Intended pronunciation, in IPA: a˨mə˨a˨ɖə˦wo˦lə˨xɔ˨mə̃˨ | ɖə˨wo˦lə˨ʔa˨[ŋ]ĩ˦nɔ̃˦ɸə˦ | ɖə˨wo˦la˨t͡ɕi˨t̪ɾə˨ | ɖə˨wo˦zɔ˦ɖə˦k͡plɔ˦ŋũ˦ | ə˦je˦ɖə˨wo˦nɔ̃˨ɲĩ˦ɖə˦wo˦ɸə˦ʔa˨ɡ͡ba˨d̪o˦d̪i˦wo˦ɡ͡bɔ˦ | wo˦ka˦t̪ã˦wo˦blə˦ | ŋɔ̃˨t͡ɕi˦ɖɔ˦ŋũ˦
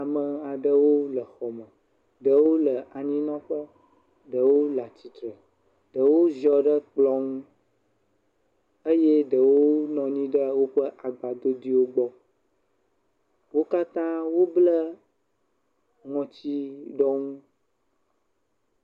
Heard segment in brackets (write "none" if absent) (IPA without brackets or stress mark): ɲ